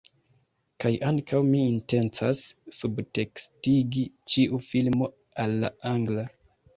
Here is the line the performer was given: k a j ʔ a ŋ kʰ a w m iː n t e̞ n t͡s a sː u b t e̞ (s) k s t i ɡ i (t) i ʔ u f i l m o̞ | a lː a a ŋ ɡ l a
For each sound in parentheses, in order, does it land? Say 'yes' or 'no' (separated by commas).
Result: no, no